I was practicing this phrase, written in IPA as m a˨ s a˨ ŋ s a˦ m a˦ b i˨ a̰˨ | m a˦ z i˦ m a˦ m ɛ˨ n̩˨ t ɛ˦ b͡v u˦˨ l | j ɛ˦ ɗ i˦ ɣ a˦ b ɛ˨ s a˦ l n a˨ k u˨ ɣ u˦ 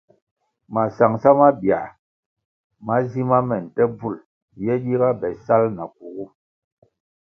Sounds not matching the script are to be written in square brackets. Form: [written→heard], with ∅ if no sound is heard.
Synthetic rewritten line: m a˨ s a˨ ŋ s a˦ m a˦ b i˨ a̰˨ | m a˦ z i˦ m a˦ m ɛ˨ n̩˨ t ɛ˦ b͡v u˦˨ l | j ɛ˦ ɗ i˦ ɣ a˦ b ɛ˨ s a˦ l n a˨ k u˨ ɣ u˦